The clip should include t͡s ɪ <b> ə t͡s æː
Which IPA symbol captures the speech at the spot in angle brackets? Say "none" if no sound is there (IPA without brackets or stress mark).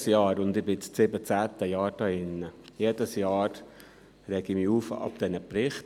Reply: b